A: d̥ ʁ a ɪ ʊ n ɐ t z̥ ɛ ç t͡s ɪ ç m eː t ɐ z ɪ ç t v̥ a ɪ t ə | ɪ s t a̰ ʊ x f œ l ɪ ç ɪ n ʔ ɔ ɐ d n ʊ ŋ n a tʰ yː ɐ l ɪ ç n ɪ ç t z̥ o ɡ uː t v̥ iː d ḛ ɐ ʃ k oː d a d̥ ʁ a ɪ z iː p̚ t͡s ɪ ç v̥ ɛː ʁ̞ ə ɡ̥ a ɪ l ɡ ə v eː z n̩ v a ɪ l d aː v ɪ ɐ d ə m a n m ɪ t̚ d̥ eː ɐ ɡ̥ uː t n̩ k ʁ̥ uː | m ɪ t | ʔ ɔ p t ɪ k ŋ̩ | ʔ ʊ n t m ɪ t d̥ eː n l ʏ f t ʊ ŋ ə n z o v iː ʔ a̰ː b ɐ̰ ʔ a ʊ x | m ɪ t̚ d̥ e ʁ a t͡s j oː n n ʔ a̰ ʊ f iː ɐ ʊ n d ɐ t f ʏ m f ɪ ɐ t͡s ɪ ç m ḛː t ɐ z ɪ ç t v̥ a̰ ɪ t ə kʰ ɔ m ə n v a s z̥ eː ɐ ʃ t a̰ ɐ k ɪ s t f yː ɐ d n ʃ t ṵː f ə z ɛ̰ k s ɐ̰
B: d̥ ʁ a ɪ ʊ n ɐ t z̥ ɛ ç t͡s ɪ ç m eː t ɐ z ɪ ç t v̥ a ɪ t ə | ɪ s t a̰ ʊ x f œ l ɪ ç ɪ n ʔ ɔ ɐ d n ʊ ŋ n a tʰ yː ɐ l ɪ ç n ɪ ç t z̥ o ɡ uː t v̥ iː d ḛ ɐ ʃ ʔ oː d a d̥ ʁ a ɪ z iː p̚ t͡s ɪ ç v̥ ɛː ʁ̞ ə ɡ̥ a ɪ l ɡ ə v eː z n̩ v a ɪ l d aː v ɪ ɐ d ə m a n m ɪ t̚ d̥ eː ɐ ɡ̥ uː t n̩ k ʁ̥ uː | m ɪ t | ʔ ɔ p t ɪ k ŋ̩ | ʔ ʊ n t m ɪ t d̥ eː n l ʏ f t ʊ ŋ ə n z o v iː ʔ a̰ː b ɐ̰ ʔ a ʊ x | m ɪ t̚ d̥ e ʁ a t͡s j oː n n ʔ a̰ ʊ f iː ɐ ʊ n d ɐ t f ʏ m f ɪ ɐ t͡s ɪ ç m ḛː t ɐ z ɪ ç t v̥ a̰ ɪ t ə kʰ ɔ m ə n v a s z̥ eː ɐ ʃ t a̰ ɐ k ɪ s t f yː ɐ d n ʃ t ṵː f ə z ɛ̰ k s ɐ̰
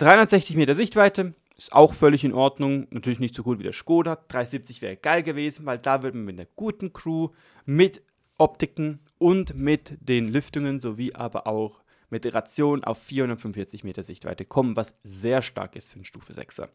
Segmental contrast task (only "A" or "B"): A